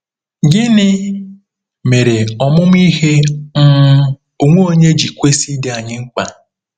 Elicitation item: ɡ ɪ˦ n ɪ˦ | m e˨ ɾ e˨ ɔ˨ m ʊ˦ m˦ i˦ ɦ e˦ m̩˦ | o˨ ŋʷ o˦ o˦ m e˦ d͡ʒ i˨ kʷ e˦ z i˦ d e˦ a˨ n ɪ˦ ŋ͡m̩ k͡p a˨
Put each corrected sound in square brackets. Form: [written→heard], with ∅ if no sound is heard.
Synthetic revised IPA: ɡ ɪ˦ n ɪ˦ | m e˨ ɾ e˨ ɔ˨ m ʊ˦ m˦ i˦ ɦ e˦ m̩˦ | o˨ ŋʷ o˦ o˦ [m→ɲ] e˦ d͡ʒ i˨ kʷ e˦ [z→s] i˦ d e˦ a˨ [n→ɲ] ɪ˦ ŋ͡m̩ k͡p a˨